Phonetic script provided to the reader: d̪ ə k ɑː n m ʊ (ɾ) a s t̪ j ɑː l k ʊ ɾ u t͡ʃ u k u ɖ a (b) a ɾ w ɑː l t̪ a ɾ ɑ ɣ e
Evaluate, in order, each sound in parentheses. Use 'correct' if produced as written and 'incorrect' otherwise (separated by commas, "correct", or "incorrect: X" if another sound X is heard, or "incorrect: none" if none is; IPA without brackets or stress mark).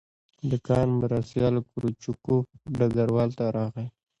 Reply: correct, incorrect: ɡ